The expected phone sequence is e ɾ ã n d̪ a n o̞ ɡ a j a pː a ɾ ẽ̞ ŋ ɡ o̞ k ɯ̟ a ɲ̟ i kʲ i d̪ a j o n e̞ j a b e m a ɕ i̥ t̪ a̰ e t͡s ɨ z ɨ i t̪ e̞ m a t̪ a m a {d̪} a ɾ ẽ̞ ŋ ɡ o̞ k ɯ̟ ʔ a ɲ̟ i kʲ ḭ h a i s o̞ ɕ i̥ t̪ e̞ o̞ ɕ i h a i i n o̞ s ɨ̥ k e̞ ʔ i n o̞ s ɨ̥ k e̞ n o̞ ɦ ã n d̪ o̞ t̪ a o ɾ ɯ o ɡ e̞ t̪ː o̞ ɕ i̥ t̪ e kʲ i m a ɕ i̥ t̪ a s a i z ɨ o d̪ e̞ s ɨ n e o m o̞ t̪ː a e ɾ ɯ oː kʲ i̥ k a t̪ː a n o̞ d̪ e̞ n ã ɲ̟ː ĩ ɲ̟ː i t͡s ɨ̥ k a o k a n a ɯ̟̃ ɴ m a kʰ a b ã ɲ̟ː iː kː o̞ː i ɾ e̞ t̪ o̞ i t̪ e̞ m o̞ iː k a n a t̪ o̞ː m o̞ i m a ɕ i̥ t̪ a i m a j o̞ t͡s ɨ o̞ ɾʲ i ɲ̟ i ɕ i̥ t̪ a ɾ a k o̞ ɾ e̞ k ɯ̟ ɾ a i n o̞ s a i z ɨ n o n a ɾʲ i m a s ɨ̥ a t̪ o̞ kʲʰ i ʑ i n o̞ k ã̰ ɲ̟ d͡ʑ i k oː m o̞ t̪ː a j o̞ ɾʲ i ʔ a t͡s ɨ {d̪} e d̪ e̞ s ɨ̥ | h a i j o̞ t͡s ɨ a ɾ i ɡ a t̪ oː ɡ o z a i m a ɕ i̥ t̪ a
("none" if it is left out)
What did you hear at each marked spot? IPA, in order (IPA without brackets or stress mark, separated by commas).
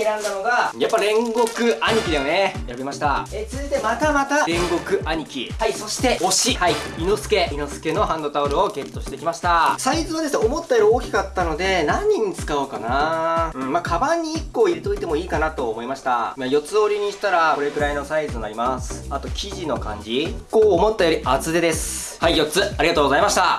t̪, d̪